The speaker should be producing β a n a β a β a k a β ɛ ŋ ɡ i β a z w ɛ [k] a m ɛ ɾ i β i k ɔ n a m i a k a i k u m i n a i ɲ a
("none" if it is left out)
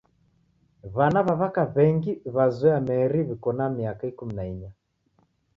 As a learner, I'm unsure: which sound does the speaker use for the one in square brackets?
none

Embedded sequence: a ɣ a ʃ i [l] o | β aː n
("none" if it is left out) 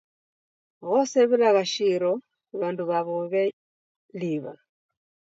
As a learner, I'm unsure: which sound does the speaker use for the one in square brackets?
ɾ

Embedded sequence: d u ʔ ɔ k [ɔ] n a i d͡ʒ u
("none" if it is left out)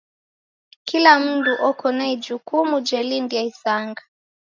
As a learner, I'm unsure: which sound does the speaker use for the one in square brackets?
ɔ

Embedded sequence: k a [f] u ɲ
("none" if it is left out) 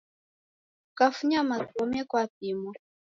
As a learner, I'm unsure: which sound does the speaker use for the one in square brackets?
f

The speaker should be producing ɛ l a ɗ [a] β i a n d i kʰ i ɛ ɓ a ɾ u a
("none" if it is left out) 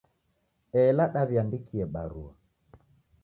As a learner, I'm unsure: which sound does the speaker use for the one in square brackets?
a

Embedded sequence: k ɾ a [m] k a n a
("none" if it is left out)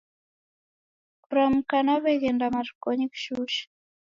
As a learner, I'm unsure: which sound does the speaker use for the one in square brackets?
m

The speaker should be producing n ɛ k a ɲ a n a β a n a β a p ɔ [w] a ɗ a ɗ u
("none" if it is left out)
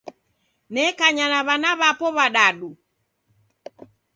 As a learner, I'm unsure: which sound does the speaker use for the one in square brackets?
β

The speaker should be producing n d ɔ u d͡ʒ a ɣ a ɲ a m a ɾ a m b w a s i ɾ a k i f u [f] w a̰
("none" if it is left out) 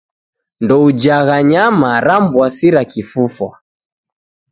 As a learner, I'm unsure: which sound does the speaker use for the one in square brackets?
f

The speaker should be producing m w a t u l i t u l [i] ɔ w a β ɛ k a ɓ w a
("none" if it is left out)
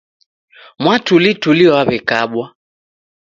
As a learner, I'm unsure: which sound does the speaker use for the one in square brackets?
i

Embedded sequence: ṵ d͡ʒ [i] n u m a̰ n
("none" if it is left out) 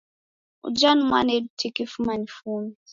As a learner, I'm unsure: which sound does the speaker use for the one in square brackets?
a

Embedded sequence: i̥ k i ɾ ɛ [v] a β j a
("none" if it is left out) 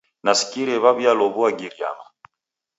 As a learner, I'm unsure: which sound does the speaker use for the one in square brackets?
β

